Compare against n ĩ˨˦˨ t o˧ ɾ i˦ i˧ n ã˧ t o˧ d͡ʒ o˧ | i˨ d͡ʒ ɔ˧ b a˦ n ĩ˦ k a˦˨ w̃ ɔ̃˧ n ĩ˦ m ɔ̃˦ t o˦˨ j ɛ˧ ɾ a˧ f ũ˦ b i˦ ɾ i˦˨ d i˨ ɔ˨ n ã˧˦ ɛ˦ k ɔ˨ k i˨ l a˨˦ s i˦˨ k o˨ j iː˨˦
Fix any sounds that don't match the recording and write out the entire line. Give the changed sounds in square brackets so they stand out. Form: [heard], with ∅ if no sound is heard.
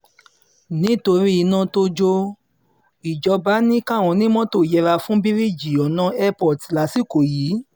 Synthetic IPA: n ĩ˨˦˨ t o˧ ɾ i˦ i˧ n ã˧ t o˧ d͡ʒ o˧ | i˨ d͡ʒ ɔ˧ b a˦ n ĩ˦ k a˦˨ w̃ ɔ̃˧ n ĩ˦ m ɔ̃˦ t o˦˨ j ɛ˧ ɾ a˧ f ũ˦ b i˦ ɾ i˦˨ [d͡ʒ] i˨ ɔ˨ n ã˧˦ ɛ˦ [p] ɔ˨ [t] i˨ l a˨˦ s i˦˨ k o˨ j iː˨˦